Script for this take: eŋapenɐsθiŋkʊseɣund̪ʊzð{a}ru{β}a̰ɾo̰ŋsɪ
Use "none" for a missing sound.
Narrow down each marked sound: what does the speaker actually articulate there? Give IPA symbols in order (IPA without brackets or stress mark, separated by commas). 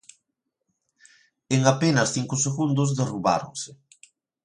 e, β